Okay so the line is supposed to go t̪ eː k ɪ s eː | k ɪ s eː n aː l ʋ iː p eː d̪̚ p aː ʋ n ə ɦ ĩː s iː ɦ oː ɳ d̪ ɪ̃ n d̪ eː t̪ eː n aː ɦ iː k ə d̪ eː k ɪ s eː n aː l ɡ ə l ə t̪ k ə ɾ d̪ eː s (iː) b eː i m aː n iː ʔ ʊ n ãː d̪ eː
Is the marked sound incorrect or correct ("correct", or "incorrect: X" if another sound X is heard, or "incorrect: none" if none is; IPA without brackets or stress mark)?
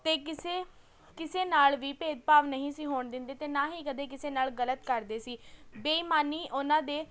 correct